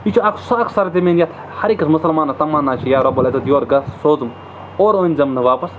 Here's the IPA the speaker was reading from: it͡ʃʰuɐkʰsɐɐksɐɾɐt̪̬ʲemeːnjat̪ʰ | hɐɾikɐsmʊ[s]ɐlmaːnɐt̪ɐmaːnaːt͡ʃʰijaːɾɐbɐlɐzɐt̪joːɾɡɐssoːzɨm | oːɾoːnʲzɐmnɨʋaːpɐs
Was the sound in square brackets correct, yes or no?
yes